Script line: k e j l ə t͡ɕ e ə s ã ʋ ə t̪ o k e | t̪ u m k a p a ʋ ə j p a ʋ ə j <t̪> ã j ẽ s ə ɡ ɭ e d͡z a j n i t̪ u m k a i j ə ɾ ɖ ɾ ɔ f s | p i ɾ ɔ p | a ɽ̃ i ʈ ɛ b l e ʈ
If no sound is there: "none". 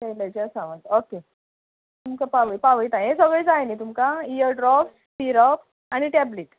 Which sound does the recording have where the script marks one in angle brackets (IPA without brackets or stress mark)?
t̪